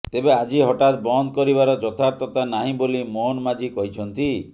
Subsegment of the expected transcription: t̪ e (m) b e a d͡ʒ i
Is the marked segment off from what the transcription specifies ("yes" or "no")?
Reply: yes